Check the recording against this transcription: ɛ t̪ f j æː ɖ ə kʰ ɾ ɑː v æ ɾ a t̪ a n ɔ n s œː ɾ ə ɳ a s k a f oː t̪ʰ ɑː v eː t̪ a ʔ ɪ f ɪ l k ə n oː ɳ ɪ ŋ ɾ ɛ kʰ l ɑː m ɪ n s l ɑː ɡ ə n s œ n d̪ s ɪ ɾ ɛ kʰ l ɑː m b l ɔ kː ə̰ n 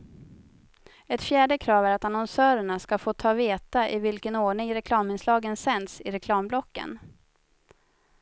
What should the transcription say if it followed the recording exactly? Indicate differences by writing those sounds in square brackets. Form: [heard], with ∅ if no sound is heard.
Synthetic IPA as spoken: ɛ t̪ f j æː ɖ ə kʰ ɾ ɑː v æ ɾ a t̪ a n ɔ n s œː ɾ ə ɳ a s k a f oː t̪ʰ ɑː v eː t̪ a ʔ ɪ [v] ɪ l k ə n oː ɳ ɪ ŋ ɾ ɛ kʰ l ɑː m ɪ n s l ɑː ɡ ə n s [ɛ] n d̪ s ɪ ɾ ɛ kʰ l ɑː m b l ɔ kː ə̰ n